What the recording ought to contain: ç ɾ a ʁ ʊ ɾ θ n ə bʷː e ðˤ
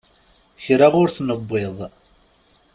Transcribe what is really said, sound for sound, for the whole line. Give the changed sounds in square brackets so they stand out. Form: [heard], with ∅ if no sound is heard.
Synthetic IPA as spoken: ç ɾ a ʁ ʊ ɾ θ n ə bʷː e ðˤ